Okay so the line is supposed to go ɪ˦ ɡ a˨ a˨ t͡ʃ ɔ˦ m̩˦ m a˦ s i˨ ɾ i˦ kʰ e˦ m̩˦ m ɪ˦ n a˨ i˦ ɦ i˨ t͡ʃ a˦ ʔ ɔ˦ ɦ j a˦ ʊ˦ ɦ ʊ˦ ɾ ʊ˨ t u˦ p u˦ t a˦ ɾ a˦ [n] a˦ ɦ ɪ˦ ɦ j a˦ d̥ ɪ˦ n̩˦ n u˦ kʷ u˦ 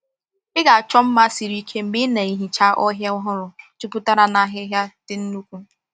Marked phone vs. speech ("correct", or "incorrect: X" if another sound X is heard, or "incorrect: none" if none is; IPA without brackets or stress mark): correct